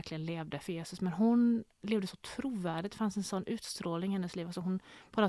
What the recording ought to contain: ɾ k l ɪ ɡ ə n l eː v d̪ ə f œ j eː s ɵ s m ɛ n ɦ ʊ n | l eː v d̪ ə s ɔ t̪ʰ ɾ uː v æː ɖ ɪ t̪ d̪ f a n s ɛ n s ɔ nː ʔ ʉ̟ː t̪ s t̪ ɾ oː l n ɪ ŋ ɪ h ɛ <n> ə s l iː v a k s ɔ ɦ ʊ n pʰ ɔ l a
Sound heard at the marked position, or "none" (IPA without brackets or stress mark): nː